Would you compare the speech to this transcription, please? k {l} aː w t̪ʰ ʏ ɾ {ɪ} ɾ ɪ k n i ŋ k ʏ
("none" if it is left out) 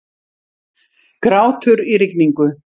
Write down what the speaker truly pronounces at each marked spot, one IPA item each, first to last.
ɾ, i

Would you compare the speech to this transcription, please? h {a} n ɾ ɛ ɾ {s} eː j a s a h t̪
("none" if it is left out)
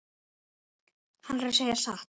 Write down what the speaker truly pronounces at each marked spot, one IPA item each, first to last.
a, s

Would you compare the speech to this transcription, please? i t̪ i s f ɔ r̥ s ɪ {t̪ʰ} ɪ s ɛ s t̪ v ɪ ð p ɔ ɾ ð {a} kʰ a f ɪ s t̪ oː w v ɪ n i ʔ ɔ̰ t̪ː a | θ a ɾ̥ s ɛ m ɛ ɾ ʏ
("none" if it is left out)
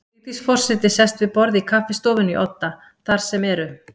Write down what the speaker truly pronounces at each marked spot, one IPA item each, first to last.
t̪, i

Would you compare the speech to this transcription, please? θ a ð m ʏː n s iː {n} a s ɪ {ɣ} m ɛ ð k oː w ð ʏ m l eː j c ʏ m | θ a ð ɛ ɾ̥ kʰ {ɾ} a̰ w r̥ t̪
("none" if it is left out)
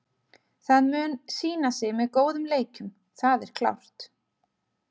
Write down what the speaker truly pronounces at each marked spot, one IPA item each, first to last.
n, ɣ, l

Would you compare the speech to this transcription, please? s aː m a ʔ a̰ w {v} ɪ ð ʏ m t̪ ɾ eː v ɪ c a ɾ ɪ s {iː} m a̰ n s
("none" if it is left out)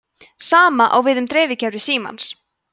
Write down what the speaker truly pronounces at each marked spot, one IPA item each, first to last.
v, iː

